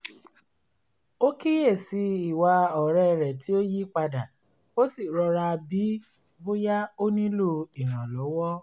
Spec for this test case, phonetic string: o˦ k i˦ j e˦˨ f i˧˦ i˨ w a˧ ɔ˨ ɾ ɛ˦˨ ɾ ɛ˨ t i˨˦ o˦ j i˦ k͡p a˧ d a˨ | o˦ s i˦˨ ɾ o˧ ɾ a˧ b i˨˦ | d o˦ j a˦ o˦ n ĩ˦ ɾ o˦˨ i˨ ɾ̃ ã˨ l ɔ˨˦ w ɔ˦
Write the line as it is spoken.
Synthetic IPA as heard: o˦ k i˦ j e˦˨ s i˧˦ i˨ w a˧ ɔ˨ ɾ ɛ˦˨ ɾ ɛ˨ t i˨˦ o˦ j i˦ k͡p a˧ d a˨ | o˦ s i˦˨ ɾ ɔ˧ ɾ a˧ b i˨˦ | b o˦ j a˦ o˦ n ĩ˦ l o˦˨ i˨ ɾ̃ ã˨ l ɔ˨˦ w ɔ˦